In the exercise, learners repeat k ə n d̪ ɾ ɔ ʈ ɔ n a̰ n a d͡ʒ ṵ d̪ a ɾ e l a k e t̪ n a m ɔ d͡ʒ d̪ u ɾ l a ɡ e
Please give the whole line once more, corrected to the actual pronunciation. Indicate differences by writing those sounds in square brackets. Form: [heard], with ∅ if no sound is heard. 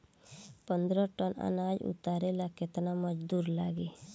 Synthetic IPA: [p] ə n d̪ ɾ ɔ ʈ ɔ n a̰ n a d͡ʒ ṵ [t̪] a ɾ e l a k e t̪ n a m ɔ d͡ʒ d̪ u ɾ l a ɡ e